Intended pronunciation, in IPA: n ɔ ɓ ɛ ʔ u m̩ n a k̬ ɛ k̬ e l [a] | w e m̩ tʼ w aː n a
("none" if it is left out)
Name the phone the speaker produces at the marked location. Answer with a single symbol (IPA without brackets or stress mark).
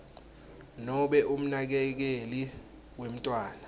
i